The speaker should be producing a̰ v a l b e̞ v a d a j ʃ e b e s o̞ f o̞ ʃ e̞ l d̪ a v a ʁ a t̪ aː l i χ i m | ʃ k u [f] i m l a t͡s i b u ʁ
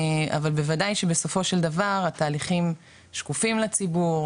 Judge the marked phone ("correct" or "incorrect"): correct